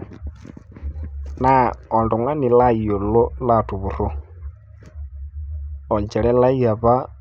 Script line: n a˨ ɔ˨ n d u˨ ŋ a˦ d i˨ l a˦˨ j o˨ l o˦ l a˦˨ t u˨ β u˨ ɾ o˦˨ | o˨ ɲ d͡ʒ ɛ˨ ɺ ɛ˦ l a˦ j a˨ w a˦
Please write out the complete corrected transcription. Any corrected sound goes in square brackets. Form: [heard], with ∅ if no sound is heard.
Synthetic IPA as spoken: n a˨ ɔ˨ n d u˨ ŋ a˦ [n] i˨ l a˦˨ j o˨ l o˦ l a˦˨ t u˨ β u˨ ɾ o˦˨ | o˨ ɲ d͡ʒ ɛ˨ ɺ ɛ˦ l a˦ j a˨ [β] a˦